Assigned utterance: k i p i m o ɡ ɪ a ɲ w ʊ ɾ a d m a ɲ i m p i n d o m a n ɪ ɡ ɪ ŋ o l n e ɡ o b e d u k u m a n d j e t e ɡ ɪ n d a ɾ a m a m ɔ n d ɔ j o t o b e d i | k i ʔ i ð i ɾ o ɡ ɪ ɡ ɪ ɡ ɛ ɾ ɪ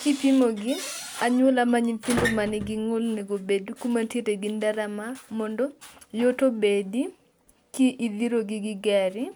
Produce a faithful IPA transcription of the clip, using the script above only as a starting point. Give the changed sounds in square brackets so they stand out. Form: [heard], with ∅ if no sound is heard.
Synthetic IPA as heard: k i p i m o ɡ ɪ a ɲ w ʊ [l] a [∅] m a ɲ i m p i n d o m a n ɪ ɡ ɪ ŋ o l n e ɡ o b e d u k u m a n [t] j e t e ɡ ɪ n d a ɾ a m a m ɔ n d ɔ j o t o b e d i | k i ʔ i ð i ɾ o ɡ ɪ ɡ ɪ ɡ ɛ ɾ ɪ

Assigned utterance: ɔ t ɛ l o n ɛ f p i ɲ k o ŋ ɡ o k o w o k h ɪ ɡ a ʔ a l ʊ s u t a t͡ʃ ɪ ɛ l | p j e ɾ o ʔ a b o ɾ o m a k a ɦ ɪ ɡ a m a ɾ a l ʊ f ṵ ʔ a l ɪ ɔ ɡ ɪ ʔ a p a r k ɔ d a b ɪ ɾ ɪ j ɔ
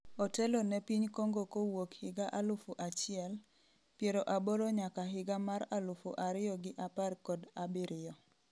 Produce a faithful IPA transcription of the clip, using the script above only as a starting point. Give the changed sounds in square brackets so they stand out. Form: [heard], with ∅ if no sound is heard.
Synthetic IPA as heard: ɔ t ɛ l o n ɛ [∅] p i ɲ k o ŋ ɡ o k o w o k h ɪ ɡ a ʔ a l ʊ [f] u [ʔ] a t͡ʃ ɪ ɛ l | p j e ɾ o ʔ a b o ɾ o [ɲ] a k a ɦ ɪ ɡ a m a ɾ a l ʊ f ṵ ʔ a [ɾ] ɪ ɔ ɡ ɪ ʔ a p a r k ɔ d a b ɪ ɾ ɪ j ɔ

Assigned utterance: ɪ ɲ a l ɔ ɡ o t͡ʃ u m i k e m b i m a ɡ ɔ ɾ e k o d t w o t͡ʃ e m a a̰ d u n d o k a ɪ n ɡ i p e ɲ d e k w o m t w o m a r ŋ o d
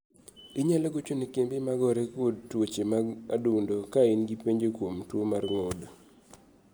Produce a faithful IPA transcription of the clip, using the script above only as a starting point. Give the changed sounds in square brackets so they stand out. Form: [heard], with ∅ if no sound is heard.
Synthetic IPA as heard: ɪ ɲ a l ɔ ɡ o t͡ʃ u [n] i k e m b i m a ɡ ɔ ɾ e k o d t w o t͡ʃ e m a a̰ d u n d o k a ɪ n ɡ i p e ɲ [d͡ʒ] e k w o m t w o m a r ŋ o d

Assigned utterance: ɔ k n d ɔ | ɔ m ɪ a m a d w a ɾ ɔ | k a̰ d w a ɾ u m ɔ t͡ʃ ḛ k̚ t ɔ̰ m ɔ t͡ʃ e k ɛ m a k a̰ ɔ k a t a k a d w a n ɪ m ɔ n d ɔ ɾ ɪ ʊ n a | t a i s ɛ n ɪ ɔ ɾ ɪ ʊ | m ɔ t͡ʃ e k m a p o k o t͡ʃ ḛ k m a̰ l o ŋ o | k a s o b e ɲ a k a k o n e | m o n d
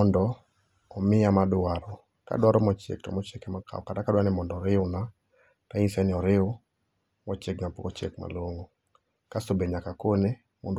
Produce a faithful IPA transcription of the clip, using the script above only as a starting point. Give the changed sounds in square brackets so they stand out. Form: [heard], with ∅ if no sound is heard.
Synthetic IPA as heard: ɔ [∅] n d ɔ | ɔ m ɪ a m a d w a ɾ ɔ | k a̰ d w a ɾ [ɔ] m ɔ t͡ʃ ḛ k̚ t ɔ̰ m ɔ t͡ʃ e k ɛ m a k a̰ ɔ k a t a k a d w a n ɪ m ɔ n d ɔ ɾ ɪ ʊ n a | t a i s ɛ n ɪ ɔ ɾ ɪ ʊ | m ɔ t͡ʃ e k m a p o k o t͡ʃ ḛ k m a̰ l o ŋ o | k a s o b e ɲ a k a k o n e | m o n d

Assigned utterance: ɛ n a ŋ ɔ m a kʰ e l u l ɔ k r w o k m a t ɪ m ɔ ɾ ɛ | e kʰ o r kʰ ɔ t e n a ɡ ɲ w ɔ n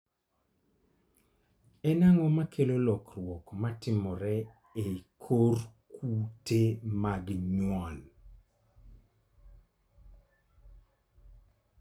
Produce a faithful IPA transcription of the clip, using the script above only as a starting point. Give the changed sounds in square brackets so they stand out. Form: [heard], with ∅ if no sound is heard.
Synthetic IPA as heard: ɛ n a ŋ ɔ m a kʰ e l [o] l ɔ k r w [ɔ] k m a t ɪ m ɔ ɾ ɛ | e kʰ o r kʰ [u] t e [m] a ɡ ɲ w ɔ n

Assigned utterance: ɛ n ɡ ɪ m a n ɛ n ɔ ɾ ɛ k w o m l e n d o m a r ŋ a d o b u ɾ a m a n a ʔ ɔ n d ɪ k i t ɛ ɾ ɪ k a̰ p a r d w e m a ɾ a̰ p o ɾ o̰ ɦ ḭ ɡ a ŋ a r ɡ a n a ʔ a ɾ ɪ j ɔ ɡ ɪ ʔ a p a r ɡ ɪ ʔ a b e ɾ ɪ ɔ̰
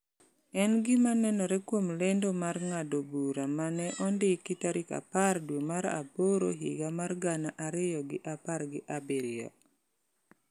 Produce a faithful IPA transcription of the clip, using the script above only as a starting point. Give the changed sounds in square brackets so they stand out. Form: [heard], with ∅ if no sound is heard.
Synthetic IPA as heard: ɛ n ɡ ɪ m a n ɛ n ɔ ɾ ɛ k w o m l e n d o m a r ŋ a d o b u ɾ a m a n [ɛ] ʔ ɔ n d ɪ k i t [a] ɾ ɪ k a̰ p a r d w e m a ɾ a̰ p o ɾ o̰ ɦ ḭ ɡ a [m] a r ɡ a n a ʔ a ɾ ɪ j ɔ ɡ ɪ ʔ a p a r ɡ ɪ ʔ a b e ɾ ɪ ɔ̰

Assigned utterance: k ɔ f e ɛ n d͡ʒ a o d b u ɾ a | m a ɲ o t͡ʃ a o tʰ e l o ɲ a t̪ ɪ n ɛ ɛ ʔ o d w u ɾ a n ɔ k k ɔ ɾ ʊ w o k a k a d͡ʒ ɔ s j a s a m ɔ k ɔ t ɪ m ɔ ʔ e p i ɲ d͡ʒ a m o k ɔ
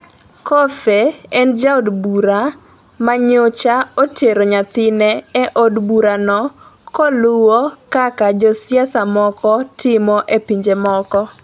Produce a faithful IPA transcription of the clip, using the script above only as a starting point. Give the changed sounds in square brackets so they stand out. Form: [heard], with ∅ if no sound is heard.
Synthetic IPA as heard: k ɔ f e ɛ n d͡ʒ a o d b u ɾ a | m a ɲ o t͡ʃ a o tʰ e [ɾ] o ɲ a t̪ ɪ n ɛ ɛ ʔ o d [b] u ɾ a n ɔ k k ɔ [l] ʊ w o k a k a d͡ʒ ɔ s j a s a m ɔ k ɔ t ɪ m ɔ ʔ e p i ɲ d͡ʒ [e] m [ɔ] k ɔ

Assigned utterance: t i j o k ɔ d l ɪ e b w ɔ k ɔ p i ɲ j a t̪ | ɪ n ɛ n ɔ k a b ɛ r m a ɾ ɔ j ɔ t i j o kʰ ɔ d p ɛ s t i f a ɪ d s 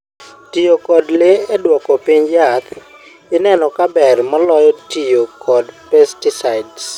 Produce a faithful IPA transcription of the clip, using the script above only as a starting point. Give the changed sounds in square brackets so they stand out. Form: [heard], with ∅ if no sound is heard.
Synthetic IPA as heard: t i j o k ɔ d l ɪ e [d] w ɔ k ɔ p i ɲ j a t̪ | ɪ n ɛ n ɔ k a b ɛ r m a [l] ɔ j ɔ t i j o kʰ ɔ d p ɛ s t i [s] a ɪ d s

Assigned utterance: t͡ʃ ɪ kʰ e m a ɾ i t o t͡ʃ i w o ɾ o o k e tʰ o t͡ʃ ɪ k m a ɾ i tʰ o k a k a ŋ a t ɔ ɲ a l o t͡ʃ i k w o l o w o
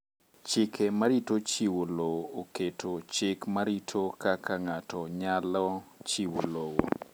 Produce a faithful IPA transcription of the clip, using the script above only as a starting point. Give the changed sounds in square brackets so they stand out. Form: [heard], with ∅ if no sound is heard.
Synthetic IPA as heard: t͡ʃ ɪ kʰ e m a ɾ i t o t͡ʃ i w o [l] o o k e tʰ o t͡ʃ ɪ k m a ɾ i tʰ o k a k a ŋ a t ɔ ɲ a l [ɔ] t͡ʃ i [∅] w o l o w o

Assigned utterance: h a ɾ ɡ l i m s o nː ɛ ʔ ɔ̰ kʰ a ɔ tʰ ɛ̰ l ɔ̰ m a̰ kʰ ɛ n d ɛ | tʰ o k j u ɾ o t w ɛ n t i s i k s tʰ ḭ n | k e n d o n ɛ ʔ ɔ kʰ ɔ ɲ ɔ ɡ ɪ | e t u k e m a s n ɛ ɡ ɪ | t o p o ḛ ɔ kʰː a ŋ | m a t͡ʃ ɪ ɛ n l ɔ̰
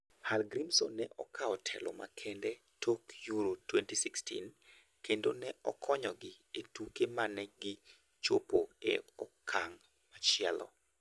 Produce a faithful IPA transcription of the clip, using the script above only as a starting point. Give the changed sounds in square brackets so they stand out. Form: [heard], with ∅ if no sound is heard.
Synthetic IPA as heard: h a [l] ɡ [ɾ] i m s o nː ɛ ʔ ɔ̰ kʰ a ɔ tʰ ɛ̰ l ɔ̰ m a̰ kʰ ɛ n d ɛ | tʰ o k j u ɾ o t w ɛ n t i s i k s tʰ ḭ n | k e n d o n ɛ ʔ ɔ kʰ ɔ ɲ ɔ ɡ ɪ | e t u k e m a [∅] n ɛ ɡ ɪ | [t͡ʃ] o p o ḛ ɔ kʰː a ŋ | m a t͡ʃ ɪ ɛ [∅] l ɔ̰

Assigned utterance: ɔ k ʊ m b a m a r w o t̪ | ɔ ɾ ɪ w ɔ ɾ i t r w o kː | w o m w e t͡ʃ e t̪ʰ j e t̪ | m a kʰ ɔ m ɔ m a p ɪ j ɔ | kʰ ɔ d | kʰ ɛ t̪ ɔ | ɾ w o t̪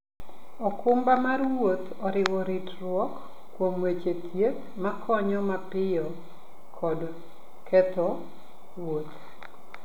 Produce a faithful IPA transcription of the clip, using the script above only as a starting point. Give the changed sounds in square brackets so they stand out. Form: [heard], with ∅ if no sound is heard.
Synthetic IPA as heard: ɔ k ʊ m b a m a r w o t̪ | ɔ ɾ ɪ w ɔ ɾ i t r w [ɔ] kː | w o m w e t͡ʃ e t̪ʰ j e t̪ | m a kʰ ɔ [ɲ] ɔ m a p ɪ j ɔ | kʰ ɔ d | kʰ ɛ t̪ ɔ | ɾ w o t̪

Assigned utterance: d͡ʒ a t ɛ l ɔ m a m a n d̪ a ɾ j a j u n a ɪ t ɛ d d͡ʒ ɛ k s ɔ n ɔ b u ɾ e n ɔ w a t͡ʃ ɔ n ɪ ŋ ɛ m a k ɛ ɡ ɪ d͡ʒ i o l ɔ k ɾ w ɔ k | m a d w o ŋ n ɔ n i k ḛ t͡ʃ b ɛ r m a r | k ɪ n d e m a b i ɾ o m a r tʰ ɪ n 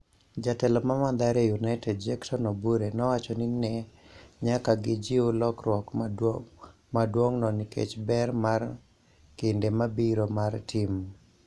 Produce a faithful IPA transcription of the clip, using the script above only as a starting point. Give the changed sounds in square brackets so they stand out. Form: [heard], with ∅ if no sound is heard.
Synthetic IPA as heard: d͡ʒ a t ɛ l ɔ m a m a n d̪ a ɾ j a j u n a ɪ t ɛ d d͡ʒ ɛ k s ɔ n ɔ b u ɾ e n ɔ w a t͡ʃ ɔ n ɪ [n] ɛ [ɲ] a k [a] ɡ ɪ d͡ʒ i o l ɔ k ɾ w ɔ k | m a d w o ŋ n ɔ n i k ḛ t͡ʃ b ɛ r m a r | k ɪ n d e m a b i ɾ o m a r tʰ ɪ [m]

